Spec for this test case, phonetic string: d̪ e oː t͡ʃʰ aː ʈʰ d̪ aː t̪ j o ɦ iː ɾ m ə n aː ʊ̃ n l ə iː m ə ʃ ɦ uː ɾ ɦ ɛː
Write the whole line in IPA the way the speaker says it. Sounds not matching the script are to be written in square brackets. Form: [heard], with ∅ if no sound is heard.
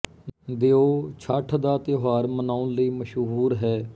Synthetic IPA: d̪ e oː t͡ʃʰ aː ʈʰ d̪ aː t̪ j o ɦ [aː] ɾ m ə n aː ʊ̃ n l ə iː m ə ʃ ɦ uː ɾ ɦ ɛː